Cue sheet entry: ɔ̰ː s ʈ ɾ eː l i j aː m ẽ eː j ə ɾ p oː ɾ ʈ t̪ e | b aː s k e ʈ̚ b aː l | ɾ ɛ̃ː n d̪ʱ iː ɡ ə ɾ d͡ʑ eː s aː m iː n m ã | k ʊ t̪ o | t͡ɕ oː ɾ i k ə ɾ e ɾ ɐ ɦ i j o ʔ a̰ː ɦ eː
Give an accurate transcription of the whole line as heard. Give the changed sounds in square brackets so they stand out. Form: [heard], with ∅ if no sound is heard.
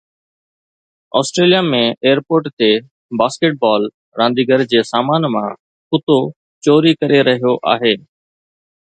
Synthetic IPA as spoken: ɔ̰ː s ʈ ɾ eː l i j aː m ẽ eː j ə ɾ p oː ɾ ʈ t̪ e | b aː s k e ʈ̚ b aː l | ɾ [ãː] n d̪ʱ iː ɡ ə ɾ d͡ʑ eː s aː m [aː] n m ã | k ʊ t̪ o | t͡ɕ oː ɾ i k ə ɾ e ɾ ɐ ɦ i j o ʔ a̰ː ɦ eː